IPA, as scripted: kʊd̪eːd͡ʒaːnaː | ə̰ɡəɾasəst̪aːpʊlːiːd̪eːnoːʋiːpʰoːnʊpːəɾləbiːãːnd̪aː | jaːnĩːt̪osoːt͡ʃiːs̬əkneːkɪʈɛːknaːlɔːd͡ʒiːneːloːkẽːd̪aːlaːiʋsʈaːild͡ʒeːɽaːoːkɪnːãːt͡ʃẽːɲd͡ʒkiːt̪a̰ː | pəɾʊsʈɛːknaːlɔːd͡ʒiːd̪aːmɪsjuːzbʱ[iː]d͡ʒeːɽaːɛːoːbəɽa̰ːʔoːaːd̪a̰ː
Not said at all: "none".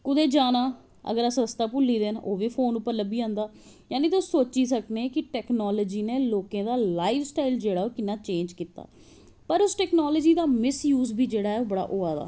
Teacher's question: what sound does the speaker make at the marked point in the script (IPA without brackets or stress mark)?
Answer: iː